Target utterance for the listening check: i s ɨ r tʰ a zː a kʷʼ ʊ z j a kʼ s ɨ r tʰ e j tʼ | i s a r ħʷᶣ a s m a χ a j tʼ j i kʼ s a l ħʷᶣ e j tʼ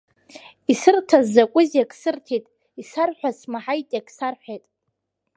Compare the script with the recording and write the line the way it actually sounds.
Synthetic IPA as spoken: i s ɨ r tʰ a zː a kʷʼ ʊ z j a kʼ s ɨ r tʰ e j tʼ | i s a r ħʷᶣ a s m a ħ a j tʼ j a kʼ s a r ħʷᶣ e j tʼ